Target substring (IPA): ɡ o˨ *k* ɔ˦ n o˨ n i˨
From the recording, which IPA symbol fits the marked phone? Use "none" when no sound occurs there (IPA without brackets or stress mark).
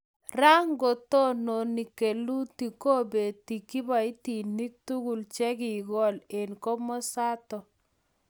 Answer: t